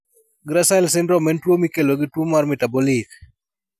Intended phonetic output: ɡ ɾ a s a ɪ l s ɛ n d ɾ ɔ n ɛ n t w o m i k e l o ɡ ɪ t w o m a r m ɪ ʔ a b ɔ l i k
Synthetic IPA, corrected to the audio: ɡ ɾ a s a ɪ l s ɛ n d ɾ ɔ m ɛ n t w o m i k e l o ɡ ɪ t w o m a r m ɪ t a b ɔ l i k